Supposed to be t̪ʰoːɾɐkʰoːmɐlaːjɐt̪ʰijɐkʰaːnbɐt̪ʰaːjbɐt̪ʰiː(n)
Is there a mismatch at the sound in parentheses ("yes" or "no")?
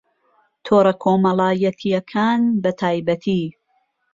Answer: yes